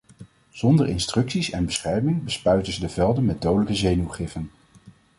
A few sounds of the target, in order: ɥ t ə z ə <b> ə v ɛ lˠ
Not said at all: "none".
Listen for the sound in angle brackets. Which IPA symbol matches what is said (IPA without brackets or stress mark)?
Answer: d